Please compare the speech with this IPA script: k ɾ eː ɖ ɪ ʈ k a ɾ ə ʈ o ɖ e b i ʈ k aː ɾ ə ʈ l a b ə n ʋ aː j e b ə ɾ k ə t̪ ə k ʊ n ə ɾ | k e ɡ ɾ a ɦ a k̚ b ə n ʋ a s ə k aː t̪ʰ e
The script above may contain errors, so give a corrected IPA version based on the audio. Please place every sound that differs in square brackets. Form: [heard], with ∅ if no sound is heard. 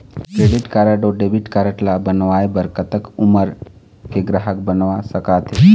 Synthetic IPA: k ɾ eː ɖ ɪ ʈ k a ɾ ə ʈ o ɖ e b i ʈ k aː ɾ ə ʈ l a b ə n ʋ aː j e b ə ɾ k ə t̪ ə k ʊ [m] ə ɾ | k e ɡ ɾ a ɦ [ə] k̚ b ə n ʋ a s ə k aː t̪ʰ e